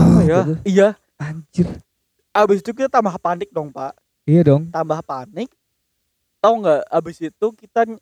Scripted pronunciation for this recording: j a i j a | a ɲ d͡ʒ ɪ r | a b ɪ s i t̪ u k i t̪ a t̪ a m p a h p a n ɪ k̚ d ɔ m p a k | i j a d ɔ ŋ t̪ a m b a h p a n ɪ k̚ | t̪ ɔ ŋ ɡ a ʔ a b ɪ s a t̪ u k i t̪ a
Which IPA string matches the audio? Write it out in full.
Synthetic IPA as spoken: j a i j a | a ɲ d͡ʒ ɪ r | a b ɪ s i t̪ u k i t̪ a t̪ a m b a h p a n ɪ k̚ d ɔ ŋ p a ʔ | i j a d ɔ ŋ t̪ a m b a h p a n ɪ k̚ | t̪ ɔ ŋ ɡ a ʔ a b ɪ s i t̪ u k i t̪ a